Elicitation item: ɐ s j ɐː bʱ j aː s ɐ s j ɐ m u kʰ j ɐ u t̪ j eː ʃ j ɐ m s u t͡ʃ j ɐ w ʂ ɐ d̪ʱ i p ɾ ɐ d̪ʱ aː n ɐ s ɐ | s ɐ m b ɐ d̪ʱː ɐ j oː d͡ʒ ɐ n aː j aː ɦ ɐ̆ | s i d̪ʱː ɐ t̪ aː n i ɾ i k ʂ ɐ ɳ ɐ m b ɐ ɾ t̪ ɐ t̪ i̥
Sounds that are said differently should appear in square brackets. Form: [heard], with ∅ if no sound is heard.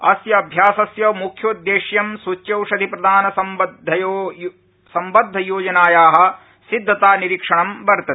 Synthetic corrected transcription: ɐ s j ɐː bʱ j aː s ɐ s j ɐ m u kʰ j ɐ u [d̪] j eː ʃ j ɐ m s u t͡ʃ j ɐ w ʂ ɐ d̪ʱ i p ɾ ɐ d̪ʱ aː n ɐ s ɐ | s ɐ m b ɐ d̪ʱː ɐ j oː d͡ʒ ɐ n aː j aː ɦ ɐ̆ | s i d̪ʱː ɐ t̪ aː n i ɾ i k ʂ ɐ ɳ ɐ m b ɐ ɾ t̪ ɐ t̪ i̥